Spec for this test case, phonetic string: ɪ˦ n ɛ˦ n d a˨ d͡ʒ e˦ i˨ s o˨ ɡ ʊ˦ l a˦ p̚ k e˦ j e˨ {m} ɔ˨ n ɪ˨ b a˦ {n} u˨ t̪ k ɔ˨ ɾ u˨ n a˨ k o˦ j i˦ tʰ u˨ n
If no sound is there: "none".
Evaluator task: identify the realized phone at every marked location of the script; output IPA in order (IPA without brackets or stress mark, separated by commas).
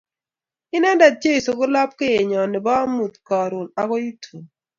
ɲ, m